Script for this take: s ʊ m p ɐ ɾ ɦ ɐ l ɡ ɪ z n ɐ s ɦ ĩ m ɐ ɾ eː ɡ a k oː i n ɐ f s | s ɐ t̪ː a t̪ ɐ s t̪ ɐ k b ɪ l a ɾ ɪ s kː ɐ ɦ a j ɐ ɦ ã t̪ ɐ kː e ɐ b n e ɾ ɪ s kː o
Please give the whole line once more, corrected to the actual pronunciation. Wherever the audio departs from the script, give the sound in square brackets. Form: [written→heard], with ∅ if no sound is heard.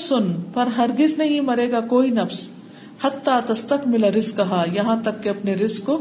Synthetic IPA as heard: s ʊ [m→n] p ɐ ɾ ɦ ɐ [l→ɾ] ɡ ɪ z n ɐ [s→∅] ɦ ĩ m ɐ ɾ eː ɡ a k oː i n ɐ f s | [s→h] ɐ t̪ː a t̪ ɐ s t̪ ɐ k [b→m] ɪ l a ɾ ɪ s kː ɐ ɦ a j ɐ ɦ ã t̪ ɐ kː e ɐ [b→p] n e ɾ ɪ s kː o